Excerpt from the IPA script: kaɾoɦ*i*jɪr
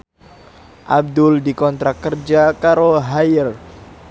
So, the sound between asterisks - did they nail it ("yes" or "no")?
no